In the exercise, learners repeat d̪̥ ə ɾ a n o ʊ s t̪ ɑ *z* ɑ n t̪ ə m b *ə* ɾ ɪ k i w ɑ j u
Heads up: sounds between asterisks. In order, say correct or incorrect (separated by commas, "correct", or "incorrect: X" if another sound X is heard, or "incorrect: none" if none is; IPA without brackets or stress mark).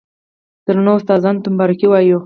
correct, incorrect: ɑ